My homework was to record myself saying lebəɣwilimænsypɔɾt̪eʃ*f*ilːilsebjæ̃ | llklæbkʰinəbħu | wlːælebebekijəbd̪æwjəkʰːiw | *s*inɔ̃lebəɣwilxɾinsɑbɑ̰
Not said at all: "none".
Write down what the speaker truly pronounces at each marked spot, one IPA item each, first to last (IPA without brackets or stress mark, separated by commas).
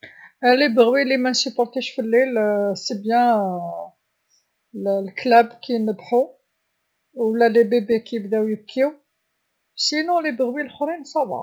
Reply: f, s